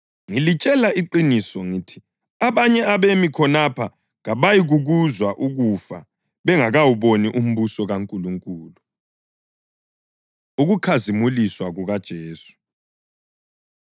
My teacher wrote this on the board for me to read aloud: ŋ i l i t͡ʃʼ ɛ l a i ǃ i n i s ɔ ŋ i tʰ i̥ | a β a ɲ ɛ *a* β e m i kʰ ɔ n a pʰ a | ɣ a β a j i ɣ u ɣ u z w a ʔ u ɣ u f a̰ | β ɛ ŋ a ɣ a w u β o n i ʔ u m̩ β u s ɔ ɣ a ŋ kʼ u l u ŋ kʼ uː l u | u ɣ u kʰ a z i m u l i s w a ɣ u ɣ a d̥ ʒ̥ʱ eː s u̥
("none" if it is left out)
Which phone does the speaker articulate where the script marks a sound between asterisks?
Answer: a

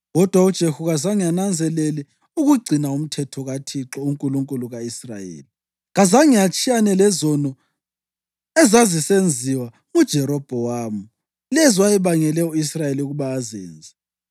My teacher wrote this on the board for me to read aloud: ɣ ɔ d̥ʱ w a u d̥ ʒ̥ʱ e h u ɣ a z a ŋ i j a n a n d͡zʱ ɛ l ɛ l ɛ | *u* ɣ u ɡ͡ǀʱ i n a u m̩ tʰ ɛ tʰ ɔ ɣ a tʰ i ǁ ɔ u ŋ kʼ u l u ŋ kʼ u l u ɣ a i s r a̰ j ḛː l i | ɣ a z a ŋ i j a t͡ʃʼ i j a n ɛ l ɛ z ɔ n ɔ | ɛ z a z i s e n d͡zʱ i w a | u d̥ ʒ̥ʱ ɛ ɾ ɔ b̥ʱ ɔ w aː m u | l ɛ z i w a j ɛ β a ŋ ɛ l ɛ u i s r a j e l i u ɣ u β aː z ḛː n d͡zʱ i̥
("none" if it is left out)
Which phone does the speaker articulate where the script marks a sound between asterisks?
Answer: u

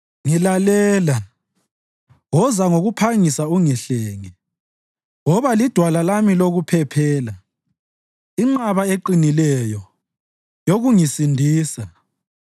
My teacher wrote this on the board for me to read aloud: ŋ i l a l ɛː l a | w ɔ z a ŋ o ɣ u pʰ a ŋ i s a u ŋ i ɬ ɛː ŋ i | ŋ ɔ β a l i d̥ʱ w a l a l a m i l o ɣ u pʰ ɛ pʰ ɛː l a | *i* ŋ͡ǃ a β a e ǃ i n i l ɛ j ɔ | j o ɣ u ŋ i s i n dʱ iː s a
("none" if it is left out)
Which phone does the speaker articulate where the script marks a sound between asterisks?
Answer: i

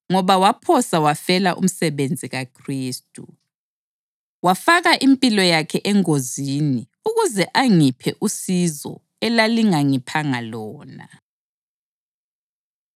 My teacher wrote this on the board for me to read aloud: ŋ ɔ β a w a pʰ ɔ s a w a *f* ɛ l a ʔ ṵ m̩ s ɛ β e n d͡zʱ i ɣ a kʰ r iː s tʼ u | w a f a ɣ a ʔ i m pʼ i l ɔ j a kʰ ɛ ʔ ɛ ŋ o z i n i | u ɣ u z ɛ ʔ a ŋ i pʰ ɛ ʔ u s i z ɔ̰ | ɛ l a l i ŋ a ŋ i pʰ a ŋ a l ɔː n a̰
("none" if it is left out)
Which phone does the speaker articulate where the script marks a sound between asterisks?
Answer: f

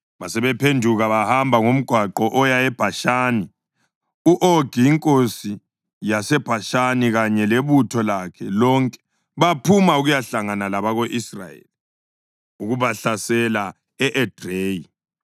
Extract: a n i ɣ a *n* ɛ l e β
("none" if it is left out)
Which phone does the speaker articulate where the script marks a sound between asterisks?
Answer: ɲ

